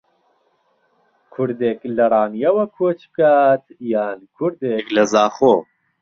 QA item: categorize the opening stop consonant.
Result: aspirated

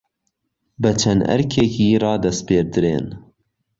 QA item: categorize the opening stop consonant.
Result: plain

